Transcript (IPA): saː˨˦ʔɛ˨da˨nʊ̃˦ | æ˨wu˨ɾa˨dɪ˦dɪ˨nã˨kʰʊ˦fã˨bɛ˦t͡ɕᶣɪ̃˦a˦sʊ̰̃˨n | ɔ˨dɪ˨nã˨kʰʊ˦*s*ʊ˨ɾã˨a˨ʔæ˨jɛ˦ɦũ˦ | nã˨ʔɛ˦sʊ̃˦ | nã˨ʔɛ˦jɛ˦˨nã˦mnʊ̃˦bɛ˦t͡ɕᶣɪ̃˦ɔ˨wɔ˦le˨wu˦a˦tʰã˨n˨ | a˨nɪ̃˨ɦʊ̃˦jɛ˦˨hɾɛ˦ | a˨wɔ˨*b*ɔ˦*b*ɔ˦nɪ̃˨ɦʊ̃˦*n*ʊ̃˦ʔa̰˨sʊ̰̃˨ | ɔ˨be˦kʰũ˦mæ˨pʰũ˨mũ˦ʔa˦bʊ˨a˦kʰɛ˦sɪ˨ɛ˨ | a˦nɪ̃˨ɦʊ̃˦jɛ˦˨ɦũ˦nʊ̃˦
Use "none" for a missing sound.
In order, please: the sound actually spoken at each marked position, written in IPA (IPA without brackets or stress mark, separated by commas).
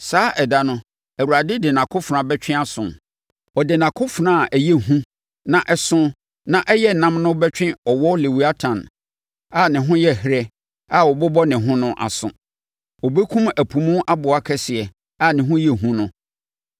f, b, b, n